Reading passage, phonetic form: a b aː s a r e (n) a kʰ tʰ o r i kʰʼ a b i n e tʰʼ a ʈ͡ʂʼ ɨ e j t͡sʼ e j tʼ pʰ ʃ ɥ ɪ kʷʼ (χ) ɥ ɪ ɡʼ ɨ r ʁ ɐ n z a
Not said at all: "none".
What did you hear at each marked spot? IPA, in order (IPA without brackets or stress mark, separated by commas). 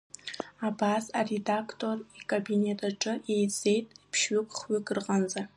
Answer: d, χ